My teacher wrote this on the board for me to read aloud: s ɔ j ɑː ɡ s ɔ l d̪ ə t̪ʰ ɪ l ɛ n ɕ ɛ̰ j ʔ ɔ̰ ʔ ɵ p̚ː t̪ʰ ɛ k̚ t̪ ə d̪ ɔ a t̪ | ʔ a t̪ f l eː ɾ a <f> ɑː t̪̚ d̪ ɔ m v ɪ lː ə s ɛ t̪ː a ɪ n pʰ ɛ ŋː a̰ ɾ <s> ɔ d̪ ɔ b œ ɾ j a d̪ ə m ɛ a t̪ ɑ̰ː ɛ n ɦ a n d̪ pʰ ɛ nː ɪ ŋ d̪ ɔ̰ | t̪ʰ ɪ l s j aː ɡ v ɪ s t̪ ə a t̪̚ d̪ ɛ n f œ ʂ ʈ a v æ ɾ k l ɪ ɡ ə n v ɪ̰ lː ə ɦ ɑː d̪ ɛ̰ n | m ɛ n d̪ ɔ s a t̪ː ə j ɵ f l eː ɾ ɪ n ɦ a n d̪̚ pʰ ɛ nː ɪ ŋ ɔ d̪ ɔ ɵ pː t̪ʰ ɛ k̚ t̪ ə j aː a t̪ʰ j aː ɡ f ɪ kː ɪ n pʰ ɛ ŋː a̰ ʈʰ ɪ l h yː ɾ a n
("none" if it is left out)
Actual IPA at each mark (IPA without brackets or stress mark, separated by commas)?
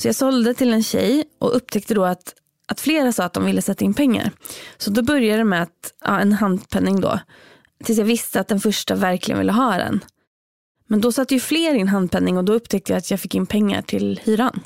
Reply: s, s